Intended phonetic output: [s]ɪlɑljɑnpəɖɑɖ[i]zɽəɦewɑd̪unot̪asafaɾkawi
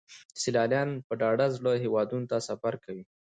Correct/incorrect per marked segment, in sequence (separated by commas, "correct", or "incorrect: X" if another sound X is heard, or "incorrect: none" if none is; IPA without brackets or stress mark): correct, incorrect: a